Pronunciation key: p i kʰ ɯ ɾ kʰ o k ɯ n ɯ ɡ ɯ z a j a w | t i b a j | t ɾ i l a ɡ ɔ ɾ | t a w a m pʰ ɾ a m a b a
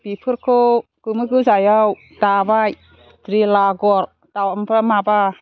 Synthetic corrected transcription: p i pʰ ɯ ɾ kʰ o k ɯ m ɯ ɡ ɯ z a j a w | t a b a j | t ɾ i l a ɡ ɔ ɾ | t a w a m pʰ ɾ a m a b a